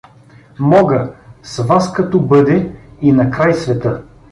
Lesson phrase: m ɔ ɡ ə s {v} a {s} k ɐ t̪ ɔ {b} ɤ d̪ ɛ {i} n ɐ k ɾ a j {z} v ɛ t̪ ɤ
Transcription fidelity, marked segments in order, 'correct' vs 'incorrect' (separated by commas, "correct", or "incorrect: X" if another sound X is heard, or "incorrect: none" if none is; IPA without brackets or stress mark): correct, correct, correct, correct, incorrect: s